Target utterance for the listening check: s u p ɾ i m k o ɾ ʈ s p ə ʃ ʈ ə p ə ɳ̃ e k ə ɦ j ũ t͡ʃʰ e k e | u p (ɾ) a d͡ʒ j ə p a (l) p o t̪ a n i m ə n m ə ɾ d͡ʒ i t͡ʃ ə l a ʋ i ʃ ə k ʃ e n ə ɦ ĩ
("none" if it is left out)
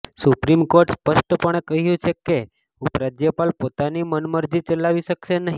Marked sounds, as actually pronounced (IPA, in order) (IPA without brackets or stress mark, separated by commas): ɾ, l